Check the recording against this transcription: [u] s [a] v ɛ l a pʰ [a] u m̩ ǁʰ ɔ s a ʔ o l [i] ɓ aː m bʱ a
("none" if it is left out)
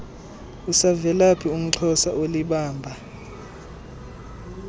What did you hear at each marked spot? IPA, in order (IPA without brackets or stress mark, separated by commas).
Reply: u, a, i, i